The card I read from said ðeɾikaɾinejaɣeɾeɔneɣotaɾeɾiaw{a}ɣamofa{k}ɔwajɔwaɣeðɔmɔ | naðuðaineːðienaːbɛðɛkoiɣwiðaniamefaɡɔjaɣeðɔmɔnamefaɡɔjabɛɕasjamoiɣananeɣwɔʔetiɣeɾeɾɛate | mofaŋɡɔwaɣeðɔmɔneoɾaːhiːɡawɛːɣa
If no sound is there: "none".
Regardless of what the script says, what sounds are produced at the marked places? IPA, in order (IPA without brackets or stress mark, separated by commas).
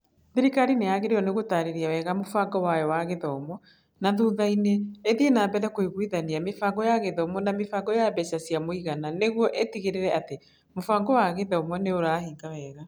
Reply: ɛ, ɡ